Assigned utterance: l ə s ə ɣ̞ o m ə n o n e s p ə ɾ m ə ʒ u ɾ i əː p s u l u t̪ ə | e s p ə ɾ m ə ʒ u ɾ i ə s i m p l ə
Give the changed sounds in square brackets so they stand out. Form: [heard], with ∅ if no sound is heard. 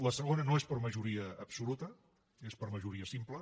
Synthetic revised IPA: l ə s ə ɣ̞ o [n] ə n o [∅] e s p ə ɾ m ə ʒ u ɾ i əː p s u l u t̪ ə | e s p ə ɾ m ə ʒ u ɾ i ə s i m p l ə